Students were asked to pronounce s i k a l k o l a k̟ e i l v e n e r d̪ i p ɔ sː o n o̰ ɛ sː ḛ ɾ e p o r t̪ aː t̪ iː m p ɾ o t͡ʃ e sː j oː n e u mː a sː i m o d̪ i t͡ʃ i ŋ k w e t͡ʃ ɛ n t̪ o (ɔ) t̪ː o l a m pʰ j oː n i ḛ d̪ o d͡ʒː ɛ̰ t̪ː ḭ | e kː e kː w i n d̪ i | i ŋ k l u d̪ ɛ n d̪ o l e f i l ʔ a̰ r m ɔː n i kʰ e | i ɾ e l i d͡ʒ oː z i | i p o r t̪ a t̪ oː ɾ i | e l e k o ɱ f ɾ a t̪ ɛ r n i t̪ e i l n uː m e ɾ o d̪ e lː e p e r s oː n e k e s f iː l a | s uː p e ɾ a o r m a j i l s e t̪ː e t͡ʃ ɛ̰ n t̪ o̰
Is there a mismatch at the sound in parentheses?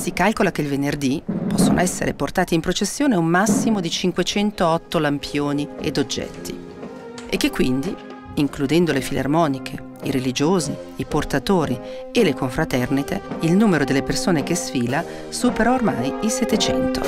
no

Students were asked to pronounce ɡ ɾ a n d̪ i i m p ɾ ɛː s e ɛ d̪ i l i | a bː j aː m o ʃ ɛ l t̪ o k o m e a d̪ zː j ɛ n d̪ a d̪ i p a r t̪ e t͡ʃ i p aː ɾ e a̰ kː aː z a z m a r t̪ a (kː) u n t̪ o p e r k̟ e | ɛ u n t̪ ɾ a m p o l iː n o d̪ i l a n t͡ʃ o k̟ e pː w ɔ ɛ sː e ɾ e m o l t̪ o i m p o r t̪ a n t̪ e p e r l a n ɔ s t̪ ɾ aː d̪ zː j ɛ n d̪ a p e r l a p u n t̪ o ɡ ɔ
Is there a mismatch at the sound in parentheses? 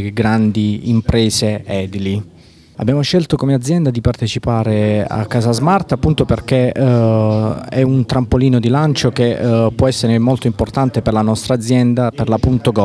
yes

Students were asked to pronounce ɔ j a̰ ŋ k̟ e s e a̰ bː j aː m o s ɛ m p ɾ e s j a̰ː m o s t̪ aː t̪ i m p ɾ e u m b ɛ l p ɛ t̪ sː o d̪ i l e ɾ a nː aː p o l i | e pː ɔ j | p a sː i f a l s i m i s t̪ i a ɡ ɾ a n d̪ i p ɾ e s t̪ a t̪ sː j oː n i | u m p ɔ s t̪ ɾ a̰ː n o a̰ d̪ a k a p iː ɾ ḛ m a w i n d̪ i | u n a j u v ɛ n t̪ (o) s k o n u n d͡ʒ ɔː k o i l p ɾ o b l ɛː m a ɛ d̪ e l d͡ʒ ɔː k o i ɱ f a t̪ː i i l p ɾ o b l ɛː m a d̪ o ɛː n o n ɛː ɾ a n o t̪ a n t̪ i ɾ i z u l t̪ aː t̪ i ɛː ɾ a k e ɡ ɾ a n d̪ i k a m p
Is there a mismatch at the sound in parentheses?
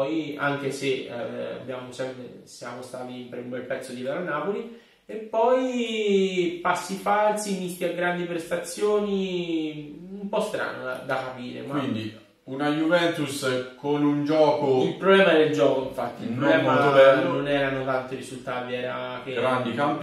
yes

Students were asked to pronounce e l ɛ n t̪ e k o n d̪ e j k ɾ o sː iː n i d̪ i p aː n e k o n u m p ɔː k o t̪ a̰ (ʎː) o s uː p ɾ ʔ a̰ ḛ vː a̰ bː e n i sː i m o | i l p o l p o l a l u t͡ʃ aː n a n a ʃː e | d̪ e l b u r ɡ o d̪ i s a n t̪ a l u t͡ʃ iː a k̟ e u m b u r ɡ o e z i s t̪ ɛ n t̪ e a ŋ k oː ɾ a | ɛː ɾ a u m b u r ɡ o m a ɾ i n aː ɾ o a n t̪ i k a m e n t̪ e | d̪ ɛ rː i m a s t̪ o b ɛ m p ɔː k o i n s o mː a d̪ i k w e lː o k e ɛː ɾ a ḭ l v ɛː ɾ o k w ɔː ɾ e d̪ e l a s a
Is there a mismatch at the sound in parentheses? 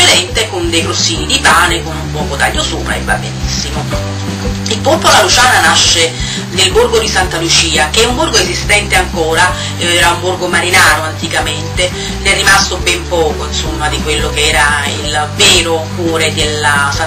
no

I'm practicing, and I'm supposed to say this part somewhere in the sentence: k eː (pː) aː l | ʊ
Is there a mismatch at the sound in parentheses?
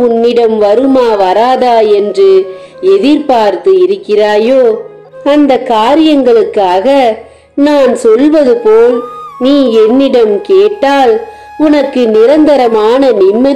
yes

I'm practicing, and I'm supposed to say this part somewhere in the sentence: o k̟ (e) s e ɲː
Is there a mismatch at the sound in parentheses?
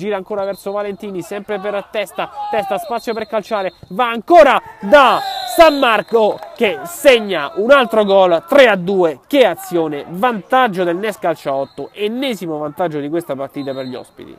no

